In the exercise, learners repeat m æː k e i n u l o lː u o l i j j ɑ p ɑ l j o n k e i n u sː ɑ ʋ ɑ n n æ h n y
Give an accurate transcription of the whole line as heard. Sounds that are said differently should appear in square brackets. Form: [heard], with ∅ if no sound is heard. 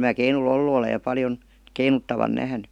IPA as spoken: m æː k e i n u l o lː u o l [e] j j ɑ p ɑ l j o n k e i n u [tː] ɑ ʋ ɑ n n æ h n y